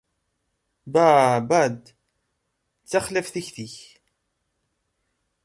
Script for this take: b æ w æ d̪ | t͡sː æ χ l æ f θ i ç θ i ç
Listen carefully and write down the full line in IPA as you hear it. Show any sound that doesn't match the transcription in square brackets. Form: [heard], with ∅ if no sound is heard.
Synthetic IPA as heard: b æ [b] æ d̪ | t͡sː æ χ l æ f θ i ç θ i ç